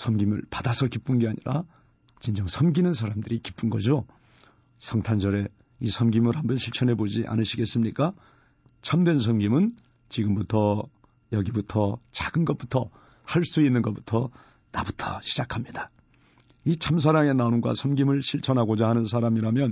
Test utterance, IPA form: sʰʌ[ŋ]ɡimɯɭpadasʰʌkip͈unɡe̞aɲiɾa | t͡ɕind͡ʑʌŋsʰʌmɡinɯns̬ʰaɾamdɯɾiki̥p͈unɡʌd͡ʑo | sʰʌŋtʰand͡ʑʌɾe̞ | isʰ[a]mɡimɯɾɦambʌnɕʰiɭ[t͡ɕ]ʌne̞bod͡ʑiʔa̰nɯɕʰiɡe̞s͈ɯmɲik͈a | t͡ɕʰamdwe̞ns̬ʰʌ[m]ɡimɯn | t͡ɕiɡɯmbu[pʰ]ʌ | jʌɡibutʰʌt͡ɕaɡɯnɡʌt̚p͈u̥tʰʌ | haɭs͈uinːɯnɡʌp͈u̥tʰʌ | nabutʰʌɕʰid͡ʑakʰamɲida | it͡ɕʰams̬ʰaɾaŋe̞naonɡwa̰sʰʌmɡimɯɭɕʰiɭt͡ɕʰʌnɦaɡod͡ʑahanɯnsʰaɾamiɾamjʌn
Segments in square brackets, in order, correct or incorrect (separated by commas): incorrect, incorrect, incorrect, correct, incorrect